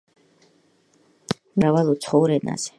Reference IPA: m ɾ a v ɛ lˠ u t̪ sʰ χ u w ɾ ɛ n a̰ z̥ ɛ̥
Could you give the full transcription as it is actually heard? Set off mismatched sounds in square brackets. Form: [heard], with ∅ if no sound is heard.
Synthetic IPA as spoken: m ɾ a v [a] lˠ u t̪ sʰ χ [ɔ] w ɾ ɛ n a̰ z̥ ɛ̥